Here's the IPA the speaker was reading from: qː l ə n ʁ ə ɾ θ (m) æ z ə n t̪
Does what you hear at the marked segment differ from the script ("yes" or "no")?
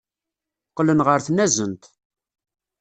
yes